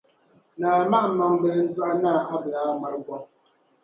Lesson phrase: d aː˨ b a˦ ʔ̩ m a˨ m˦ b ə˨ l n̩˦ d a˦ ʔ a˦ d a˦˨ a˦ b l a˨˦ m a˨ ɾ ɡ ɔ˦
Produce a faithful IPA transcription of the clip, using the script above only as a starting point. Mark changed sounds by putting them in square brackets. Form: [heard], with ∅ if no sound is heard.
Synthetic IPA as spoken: [n] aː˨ [m] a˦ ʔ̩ m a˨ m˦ b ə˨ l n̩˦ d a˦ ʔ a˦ [n] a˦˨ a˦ b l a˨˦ m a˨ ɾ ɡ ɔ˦